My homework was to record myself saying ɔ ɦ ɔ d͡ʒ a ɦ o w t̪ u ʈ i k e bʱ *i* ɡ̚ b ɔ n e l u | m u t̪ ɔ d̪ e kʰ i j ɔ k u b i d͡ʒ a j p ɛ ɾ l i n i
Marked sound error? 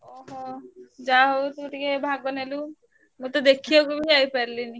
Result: yes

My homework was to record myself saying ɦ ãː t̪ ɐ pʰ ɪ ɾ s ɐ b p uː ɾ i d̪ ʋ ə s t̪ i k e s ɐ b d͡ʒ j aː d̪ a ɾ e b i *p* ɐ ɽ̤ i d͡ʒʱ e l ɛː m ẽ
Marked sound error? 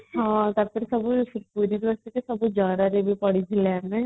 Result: no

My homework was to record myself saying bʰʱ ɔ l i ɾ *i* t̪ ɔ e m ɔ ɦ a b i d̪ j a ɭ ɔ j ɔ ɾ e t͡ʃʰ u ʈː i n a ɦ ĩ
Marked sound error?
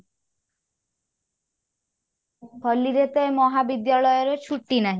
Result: yes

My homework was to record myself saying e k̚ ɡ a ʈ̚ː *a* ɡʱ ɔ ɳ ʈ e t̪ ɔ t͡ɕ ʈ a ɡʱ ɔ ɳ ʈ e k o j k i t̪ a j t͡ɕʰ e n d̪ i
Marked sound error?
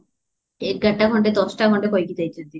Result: no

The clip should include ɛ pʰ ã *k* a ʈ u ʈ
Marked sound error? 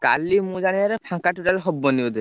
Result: no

